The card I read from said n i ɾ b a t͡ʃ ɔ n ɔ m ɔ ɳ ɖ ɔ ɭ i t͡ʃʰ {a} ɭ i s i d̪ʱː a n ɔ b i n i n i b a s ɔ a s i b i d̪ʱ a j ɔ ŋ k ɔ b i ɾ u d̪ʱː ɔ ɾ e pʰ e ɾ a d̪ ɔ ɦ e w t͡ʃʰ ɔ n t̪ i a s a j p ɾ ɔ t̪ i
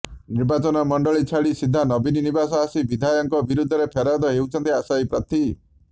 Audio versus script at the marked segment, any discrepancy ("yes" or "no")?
no